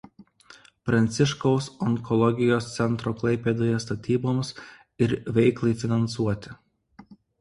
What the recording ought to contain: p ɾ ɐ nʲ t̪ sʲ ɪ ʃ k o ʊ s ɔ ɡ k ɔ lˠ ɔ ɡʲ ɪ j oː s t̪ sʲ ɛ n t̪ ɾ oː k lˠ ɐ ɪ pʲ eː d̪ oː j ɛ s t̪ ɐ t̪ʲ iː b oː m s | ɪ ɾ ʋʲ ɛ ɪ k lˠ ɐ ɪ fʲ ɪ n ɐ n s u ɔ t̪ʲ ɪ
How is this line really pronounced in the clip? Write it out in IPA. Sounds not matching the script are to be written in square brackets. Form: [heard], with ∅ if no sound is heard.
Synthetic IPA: p ɾ ɐ nʲ t̪ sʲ ɪ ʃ k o ʊ s ɔ [ŋ] k ɔ lˠ ɔ ɡʲ ɪ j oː s t̪ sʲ ɛ n t̪ ɾ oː k lˠ ɐ ɪ pʲ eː d̪ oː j ɛ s t̪ ɐ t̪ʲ iː b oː m s | ɪ ɾ ʋʲ ɛ ɪ k lˠ ɐ ɪ fʲ ɪ n ɐ n s u ɔ t̪ʲ ɪ